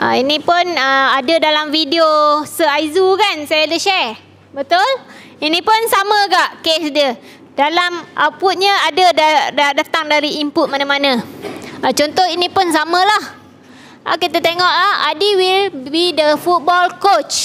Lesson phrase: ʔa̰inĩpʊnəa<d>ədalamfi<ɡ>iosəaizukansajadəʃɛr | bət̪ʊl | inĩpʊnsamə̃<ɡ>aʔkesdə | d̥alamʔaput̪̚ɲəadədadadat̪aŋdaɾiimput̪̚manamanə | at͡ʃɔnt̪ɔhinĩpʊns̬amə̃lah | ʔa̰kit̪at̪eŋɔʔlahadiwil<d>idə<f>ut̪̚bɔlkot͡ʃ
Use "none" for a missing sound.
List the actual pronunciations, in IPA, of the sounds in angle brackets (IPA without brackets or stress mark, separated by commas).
d, d, ɡ, b, f